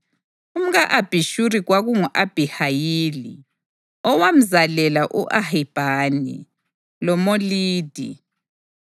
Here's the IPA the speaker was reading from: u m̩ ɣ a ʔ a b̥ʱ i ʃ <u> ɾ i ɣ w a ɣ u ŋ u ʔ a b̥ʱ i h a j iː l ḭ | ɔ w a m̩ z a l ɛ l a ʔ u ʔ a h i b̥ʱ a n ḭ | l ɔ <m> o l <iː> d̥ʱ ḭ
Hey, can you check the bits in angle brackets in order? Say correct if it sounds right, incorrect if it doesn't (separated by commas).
correct, correct, correct